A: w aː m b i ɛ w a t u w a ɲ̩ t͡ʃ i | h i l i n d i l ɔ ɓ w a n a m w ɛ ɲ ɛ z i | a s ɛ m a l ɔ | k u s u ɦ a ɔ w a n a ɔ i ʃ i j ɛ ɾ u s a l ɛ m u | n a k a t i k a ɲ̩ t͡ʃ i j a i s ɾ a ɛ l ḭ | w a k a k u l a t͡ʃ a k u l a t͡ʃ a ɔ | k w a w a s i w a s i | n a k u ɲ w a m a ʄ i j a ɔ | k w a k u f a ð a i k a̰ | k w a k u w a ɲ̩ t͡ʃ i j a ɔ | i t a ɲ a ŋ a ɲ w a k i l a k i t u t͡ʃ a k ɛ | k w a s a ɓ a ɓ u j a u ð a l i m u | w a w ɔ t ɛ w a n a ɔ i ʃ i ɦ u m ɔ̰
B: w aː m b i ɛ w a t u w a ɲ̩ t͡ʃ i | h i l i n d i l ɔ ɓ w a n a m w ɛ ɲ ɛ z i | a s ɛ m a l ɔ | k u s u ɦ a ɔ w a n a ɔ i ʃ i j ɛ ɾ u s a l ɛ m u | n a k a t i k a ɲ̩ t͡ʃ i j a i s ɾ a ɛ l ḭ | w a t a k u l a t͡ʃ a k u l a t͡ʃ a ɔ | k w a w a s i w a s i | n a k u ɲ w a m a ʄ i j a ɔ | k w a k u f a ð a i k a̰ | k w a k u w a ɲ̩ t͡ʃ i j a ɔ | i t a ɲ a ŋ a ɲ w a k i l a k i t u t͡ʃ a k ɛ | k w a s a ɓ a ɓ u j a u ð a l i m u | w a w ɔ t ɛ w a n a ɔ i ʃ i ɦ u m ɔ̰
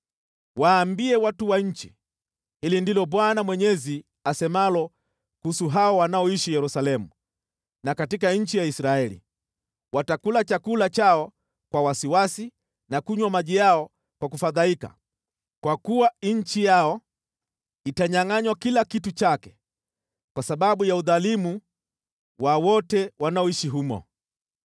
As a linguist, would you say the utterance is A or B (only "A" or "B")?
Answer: B